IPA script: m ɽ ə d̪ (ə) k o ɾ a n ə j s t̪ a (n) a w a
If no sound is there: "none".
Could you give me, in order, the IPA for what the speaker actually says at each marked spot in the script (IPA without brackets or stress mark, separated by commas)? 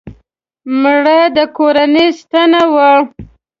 ə, n